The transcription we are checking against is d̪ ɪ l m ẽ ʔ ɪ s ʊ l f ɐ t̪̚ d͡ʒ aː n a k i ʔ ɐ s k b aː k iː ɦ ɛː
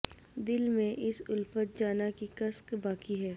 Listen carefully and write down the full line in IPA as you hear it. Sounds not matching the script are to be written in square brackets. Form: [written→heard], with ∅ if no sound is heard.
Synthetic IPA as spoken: d̪ ɪ l m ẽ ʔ ɪ s ʊ l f [ɐ→ə] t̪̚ d͡ʒ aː n a k i [ʔ→k] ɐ s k b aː k [iː→i] ɦ ɛː